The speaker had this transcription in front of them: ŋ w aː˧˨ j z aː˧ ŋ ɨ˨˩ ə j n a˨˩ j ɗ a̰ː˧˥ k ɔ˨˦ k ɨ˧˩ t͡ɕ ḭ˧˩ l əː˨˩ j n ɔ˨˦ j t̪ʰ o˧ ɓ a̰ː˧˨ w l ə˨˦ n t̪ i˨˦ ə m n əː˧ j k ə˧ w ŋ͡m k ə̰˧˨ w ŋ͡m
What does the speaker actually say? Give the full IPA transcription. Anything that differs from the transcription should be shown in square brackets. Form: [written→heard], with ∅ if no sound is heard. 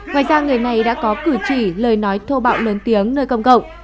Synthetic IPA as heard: ŋ w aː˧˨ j z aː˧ ŋ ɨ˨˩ ə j n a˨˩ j ɗ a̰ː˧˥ k ɔ˨˦ k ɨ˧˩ t͡ɕ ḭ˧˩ l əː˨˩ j n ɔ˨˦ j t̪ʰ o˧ ɓ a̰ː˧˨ w l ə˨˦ n t̪ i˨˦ ə [m→ŋ] n əː˧ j k ə˧ w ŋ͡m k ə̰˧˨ w ŋ͡m